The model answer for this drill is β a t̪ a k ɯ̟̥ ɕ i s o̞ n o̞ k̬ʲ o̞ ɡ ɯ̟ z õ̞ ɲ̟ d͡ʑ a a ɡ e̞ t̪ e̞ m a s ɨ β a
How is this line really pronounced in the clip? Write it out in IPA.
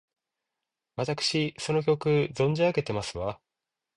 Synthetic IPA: β a t̪ a k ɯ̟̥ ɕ i s o̞ n o̞ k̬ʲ o̞ k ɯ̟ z õ̞ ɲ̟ d͡ʑ i a ɡ e̞ t̪ e̞ m a s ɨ β a

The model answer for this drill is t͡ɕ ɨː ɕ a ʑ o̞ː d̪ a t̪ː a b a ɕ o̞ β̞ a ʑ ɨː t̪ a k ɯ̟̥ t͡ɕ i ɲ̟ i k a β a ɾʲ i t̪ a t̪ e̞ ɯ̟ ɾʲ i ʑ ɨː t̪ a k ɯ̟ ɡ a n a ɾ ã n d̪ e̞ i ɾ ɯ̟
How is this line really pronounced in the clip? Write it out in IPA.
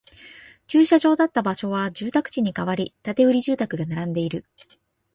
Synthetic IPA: t͡ɕ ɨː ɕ a ʑ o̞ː d̪ a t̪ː a b a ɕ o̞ β̞ a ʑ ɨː t̪ a k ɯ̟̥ t͡ɕ i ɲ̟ i k a β a ɾʲ i t̪ a t̪ e̞ ɯ̟ ɾʲ i ʑ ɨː t̪ a k ɯ̟ ɡ a n a ɾ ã n d̪ e̞ i ɾ ɯ̟

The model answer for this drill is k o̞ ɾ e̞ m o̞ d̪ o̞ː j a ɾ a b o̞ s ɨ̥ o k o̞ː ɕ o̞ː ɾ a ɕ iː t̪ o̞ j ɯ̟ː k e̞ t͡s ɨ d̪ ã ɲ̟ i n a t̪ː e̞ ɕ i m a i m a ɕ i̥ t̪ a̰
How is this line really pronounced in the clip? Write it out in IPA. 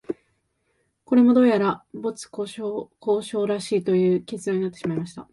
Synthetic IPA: k o̞ ɾ e̞ m o̞ d̪ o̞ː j a ɾ a b o̞ t͡s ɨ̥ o k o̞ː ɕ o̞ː ɾ a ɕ iː t̪ o̞ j ɯ̟ː k e̞ t͡s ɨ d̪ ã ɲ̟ i n a t̪ː e̞ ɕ i m a i m a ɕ i̥ t̪ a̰

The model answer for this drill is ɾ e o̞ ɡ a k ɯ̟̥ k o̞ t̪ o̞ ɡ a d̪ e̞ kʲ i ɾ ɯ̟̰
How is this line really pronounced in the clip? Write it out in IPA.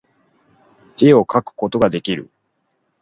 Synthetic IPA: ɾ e o̞ k a k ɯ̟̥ k o̞ t̪ o̞ ɡ a d̪ e̞ kʲ i ɾ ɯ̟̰

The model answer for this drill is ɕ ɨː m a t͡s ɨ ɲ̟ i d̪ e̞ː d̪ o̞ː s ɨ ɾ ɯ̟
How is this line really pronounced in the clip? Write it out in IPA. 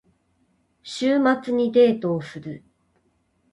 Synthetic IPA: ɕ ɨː m a t͡s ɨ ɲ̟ i d̪ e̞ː t̪ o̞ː s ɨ ɾ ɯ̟

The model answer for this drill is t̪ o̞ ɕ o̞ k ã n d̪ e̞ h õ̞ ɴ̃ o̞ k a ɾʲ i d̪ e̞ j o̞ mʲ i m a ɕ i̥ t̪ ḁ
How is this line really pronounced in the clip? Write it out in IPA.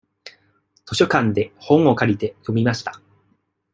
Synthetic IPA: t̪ o̞ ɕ o̞ k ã n d̪ e̞ h õ̞ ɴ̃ o̞ k a ɾʲ i t̪ e̞ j o̞ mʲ i m a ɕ i̥ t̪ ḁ

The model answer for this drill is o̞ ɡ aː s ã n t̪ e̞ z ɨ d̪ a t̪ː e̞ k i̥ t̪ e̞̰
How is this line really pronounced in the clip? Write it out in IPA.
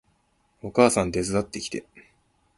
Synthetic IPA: o̞ k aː s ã n d̪ e̞ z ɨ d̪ a t̪ː e̞ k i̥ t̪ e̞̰

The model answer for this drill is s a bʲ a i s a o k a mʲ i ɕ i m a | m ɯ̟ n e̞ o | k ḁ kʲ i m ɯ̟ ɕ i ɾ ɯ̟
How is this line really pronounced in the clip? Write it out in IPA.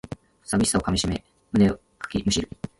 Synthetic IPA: s a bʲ i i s a o k a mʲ i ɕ i m e | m ɯ̟ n e̞ o | k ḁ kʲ i m ɯ̟ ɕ i ɾ ɯ̟

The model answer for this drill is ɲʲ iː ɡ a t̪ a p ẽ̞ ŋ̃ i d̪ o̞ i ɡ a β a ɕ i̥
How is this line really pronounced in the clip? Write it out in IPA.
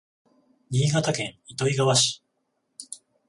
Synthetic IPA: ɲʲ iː ɡ a t̪ a k ẽ̞ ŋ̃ i t̪ o̞ i ɡ a β a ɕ i̥

